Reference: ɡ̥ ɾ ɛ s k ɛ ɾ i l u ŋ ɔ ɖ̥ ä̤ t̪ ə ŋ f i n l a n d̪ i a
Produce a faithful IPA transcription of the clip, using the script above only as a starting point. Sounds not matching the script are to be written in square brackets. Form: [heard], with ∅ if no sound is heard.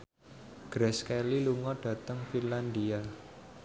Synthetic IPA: ɡ̥ ɾ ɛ s k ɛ [l] i l u ŋ ɔ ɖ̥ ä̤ t̪ ə ŋ f i n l a n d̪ i a